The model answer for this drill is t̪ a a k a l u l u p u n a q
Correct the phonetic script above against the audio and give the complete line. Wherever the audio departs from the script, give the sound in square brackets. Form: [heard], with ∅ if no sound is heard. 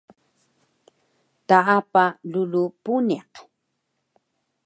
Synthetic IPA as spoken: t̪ a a [p] a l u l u p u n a q